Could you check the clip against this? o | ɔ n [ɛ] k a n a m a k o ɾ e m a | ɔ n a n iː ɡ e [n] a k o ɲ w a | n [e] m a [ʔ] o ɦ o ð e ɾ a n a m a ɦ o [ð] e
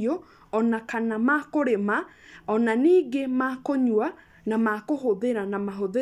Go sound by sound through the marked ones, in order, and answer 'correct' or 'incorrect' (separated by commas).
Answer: incorrect, incorrect, incorrect, incorrect, correct